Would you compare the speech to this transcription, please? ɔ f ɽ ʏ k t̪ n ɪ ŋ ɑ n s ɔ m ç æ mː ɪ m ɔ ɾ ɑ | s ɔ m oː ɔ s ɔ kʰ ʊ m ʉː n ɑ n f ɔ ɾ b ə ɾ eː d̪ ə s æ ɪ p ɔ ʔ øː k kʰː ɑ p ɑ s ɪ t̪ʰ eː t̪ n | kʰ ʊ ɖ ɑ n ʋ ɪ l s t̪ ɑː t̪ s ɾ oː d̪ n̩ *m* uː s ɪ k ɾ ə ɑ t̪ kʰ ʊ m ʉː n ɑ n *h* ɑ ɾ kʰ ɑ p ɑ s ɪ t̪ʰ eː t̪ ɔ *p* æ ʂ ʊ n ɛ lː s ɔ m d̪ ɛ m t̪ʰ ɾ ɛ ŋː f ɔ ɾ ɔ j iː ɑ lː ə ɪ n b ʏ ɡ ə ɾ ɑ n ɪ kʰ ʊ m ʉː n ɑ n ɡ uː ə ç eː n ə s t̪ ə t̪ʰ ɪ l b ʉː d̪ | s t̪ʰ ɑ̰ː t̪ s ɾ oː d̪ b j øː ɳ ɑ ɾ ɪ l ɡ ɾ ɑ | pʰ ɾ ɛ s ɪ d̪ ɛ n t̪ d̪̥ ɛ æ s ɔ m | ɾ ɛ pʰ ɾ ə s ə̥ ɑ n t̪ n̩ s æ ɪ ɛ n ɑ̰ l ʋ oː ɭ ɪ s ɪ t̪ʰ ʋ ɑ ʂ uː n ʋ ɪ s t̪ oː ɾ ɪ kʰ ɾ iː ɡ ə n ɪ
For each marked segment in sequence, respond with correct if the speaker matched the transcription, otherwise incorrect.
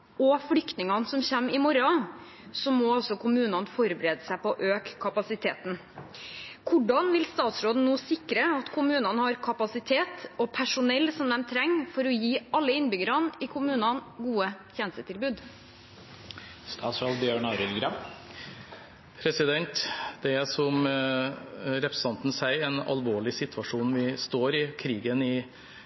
incorrect, correct, incorrect

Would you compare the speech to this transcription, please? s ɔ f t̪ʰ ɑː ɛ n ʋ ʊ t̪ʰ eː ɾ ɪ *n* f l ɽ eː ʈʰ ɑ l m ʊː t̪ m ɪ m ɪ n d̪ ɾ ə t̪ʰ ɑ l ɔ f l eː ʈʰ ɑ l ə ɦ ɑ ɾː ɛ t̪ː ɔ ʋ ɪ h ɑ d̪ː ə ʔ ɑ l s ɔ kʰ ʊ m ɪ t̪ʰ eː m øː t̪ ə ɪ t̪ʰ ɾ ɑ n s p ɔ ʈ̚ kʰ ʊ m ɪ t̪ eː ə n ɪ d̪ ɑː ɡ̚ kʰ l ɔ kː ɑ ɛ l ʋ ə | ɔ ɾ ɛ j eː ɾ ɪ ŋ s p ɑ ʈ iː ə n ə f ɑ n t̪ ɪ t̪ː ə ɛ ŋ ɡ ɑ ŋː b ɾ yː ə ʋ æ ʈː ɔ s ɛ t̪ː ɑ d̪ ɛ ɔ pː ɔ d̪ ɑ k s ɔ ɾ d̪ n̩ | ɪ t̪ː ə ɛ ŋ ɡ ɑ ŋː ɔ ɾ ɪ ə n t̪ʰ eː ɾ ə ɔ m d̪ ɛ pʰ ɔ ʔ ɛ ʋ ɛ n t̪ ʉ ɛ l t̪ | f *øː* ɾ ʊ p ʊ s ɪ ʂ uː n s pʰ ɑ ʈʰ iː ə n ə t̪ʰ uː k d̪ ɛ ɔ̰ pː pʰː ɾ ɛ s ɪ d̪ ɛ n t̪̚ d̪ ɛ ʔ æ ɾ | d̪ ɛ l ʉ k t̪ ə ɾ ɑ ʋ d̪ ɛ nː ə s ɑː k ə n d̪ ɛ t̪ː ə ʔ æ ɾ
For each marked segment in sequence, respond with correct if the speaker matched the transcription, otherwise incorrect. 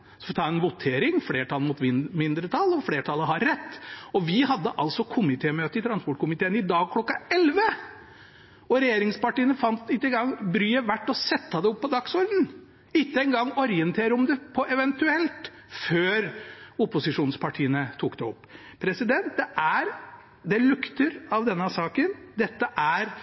incorrect, correct

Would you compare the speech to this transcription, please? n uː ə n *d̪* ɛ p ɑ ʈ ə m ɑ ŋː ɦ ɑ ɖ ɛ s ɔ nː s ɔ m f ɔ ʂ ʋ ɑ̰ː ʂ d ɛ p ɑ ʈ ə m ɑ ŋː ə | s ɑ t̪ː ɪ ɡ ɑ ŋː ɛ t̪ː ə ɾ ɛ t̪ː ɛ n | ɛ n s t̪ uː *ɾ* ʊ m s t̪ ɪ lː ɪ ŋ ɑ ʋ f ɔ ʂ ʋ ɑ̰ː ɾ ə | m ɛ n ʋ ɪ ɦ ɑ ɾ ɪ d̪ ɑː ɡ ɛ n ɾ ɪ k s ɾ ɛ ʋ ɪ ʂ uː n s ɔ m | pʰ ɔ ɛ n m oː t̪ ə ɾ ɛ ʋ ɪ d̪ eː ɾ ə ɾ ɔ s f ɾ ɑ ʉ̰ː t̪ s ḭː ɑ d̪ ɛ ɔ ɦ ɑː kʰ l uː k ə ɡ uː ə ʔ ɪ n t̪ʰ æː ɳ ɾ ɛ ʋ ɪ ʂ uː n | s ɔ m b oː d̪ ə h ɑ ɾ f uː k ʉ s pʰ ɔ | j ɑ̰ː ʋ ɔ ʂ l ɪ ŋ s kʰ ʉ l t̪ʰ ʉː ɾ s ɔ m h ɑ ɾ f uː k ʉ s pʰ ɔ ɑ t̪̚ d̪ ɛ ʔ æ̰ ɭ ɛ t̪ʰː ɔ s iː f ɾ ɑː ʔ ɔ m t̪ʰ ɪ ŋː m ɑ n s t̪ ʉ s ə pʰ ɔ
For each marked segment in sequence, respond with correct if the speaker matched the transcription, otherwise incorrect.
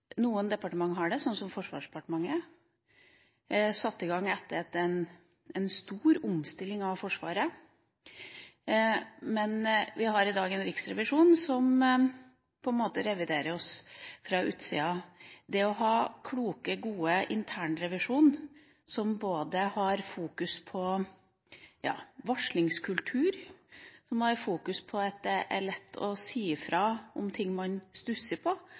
correct, correct

